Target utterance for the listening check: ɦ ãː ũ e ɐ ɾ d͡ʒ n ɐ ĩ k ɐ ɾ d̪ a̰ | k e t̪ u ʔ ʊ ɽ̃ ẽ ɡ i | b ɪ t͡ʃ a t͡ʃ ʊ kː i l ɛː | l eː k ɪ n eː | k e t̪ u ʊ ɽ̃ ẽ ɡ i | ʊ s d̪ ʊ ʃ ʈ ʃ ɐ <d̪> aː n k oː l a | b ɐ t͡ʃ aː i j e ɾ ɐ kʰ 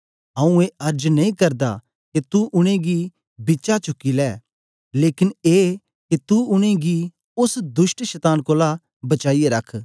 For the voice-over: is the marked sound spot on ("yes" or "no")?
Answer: no